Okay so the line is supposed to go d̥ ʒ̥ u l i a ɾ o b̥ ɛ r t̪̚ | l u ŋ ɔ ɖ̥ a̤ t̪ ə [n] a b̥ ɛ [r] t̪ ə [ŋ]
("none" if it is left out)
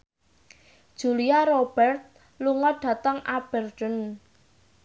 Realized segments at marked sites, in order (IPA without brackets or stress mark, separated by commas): ŋ, r, n